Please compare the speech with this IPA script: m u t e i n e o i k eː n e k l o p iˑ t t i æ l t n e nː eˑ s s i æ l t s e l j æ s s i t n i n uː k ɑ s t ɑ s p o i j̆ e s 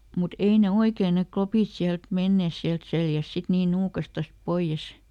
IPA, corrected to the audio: m u t e i n e o i k eː n e k l o p iˑ t s i æ l t m e nː eˑ s s i æ l t s e l j æ s s i t n iː n uː k ɑ s t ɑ s p o i j̆ e s